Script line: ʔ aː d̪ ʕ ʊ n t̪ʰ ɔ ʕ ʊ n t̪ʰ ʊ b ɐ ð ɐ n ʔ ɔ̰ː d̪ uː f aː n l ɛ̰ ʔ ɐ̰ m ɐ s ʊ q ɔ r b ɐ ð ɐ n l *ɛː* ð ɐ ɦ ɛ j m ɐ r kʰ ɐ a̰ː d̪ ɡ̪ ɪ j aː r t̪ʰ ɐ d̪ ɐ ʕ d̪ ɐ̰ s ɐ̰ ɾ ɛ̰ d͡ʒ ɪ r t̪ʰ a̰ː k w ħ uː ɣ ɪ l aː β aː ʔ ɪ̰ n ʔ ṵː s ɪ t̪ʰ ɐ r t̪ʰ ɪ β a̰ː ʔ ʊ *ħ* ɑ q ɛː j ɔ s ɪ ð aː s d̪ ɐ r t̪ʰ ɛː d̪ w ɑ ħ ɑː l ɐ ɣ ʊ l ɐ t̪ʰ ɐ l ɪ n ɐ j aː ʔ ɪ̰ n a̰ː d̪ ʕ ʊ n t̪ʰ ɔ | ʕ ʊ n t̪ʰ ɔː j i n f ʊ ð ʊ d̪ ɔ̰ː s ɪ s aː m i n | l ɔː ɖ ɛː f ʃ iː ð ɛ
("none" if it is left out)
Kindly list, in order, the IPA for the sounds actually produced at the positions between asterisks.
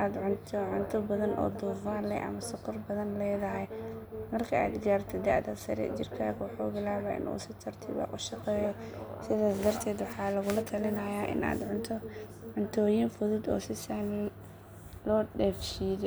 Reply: ɛː, ʃ

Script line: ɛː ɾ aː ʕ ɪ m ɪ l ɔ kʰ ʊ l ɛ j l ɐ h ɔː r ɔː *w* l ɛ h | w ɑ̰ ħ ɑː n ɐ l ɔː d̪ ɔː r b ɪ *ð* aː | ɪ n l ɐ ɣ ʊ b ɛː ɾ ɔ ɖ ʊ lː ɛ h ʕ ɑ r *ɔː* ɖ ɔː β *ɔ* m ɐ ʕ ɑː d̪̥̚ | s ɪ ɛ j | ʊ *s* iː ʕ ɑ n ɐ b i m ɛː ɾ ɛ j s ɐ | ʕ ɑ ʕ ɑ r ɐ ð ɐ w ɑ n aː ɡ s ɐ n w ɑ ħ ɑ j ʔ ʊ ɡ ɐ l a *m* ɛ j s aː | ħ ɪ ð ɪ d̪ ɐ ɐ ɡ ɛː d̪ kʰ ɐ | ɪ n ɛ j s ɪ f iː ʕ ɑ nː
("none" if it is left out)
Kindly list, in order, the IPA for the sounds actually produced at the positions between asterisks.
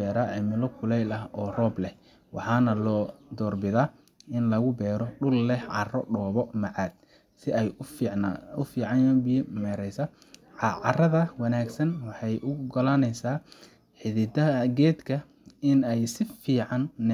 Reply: b, ð, ɔ, ɔ, f, n

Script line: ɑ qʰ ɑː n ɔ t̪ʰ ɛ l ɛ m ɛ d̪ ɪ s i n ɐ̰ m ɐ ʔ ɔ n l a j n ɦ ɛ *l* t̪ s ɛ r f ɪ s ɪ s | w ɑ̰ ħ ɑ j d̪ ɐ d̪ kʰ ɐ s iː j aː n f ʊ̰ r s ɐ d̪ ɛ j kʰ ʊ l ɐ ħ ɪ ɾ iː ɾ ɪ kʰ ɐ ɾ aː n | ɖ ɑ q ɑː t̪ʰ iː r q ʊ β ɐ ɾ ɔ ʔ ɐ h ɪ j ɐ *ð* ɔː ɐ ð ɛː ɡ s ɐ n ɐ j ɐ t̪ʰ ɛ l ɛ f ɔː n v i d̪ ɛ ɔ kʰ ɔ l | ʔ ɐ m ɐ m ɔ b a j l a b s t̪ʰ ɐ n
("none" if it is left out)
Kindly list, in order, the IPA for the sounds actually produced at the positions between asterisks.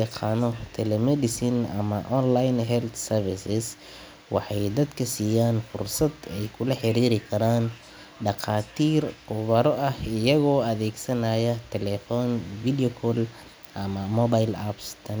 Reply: l, ɣ

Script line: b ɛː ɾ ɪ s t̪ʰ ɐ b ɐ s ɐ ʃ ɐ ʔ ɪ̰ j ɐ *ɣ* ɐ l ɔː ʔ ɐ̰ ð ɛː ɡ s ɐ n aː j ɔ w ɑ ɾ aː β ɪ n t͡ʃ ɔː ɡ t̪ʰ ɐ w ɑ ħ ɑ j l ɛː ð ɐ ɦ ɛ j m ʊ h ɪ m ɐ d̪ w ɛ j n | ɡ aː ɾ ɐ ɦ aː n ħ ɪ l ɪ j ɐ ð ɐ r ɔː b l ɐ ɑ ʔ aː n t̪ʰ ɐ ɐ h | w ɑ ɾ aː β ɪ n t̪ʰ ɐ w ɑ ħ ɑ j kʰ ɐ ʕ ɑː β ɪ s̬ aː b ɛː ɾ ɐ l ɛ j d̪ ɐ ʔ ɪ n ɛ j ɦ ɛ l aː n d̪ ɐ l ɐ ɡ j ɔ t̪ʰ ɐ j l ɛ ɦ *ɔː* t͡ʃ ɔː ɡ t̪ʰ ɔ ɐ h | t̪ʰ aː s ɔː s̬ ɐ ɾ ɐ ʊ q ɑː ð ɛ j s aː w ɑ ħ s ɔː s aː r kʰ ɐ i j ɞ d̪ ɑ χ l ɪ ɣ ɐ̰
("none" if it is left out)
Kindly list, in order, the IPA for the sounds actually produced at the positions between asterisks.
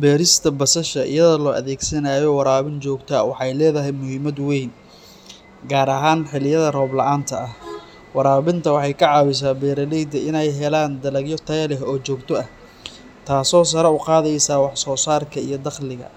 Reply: ð, ɔː

